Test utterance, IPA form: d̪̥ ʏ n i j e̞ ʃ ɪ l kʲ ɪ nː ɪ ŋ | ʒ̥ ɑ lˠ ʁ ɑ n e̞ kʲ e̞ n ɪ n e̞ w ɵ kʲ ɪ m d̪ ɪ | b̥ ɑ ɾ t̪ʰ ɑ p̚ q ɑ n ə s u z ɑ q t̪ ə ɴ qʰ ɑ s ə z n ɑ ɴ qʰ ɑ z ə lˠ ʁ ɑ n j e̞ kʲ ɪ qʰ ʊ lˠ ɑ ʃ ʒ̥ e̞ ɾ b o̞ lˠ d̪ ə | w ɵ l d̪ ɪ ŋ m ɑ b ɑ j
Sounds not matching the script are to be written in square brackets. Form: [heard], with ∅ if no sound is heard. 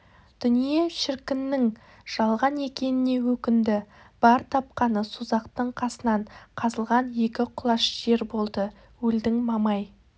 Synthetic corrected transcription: d̪̥ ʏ n i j e̞ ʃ ɪ [ɾ] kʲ ɪ nː ɪ ŋ | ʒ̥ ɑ lˠ ʁ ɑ n e̞ kʲ e̞ n ɪ n e̞ w ɵ kʲ ɪ [n] d̪ ɪ | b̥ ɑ ɾ t̪ʰ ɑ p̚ q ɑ n ə s u z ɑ q t̪ ə ɴ qʰ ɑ s ə [∅] n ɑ ɴ qʰ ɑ z ə lˠ ʁ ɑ n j e̞ kʲ ɪ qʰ ʊ lˠ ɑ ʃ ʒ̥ e̞ ɾ b o̞ lˠ d̪ ə | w ɵ l d̪ ɪ ŋ m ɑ [m] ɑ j